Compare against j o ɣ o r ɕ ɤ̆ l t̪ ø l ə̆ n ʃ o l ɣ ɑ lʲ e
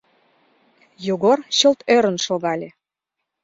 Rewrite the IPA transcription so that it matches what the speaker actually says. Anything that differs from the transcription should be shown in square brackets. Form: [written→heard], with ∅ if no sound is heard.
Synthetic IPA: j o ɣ o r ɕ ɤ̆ l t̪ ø [l→ɾ] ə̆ n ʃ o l ɣ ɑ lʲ e